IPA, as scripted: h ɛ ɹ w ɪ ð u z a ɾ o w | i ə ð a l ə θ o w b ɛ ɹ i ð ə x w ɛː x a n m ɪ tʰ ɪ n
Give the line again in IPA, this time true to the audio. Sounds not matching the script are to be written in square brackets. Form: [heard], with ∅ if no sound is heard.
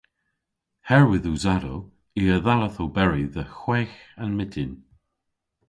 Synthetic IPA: h ɛ ɹ w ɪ ð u z a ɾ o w | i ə ð a l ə θ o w b ɛ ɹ i ð ə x w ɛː x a n m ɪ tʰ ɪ n